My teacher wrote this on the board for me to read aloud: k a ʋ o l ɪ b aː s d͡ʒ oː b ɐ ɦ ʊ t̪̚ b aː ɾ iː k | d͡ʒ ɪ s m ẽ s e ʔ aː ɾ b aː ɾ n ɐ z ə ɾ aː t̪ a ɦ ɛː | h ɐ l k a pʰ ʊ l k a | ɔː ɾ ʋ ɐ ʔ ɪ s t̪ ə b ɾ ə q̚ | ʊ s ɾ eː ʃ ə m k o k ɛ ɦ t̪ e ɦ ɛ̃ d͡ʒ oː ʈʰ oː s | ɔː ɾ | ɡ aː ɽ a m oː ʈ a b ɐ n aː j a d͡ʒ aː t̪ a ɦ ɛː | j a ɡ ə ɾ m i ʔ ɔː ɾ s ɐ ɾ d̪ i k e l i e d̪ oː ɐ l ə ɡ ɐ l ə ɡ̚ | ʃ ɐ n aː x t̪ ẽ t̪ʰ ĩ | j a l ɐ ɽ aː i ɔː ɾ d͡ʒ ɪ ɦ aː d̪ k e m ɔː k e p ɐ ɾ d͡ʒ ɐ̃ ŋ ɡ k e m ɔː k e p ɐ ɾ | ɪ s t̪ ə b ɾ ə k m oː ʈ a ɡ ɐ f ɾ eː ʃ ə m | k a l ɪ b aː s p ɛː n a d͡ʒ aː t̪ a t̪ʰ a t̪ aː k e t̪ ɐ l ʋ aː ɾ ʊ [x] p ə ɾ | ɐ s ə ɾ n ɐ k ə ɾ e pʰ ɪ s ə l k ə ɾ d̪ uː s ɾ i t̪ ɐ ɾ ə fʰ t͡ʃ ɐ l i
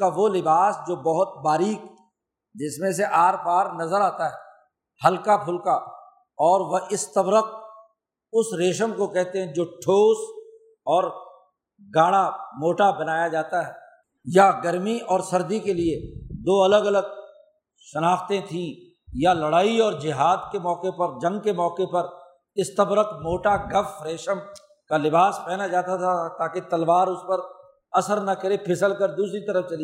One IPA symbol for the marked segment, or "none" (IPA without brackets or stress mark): s